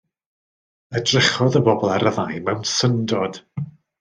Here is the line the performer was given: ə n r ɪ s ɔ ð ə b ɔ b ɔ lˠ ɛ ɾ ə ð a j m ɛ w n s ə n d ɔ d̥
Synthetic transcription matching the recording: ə d r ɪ χ ɔ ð ə b ɔ b ɔ lˠ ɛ ɾ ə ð a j m ɛ w n s ə n d ɔ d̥